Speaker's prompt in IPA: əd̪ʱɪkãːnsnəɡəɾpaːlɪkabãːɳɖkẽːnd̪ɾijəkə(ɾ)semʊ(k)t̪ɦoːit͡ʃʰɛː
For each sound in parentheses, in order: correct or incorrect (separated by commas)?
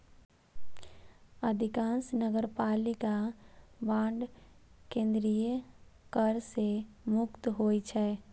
correct, correct